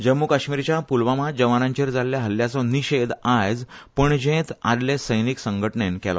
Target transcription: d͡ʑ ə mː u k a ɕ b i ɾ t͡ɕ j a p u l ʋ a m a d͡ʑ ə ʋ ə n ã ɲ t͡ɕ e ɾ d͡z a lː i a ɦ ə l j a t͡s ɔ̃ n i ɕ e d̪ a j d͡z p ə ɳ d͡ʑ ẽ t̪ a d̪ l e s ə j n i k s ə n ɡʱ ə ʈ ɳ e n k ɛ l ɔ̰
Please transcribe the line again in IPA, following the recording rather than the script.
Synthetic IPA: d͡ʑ ə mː u k a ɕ m i ɾ t͡ɕ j a p u l ʋ a m a d͡ʑ ə ʋ a n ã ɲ t͡ɕ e ɾ d͡z a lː j a ɦ ə l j a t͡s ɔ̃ n i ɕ e d̪ a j d͡z p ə ɳ d͡ʑ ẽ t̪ a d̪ l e s ə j n i k s ə ŋ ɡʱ ə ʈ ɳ e n k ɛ l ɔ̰